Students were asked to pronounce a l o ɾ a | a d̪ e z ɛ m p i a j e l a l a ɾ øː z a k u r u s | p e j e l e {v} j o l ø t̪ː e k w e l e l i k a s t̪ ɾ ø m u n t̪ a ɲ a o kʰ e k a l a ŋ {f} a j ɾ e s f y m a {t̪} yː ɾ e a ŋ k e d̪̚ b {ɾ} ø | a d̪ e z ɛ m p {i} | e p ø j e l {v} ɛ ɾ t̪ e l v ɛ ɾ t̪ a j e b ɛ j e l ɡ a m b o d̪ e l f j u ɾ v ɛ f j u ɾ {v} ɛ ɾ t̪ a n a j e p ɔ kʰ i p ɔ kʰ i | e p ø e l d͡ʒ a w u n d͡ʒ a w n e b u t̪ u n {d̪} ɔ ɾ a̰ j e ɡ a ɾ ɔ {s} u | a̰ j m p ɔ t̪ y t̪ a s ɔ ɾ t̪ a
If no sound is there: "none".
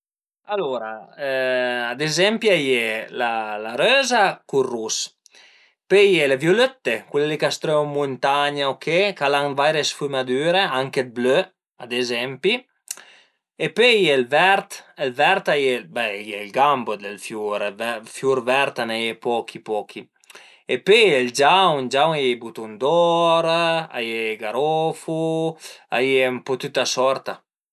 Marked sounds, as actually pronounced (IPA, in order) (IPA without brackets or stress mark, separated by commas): v, v, d̪, l, i, v, v, d̪, f